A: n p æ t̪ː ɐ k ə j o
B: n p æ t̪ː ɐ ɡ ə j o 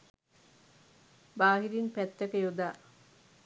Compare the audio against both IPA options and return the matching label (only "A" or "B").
A